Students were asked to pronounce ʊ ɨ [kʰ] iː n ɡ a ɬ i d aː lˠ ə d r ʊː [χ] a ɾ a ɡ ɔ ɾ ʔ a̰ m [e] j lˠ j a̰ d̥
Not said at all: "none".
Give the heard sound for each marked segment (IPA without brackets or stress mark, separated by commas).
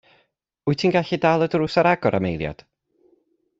tʰ, s, e